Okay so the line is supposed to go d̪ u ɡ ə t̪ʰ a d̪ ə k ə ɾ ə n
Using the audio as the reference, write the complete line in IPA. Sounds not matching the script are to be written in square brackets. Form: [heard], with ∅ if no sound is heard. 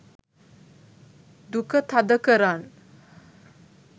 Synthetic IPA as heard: d̪ u [k] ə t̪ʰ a d̪ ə k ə ɾ [a] n